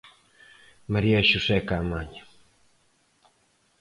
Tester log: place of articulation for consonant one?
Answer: labial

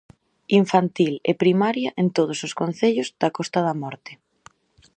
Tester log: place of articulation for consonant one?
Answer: labial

